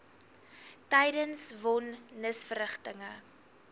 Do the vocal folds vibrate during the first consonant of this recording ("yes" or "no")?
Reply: no